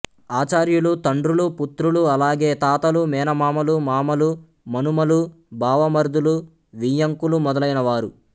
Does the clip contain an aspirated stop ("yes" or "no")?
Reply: no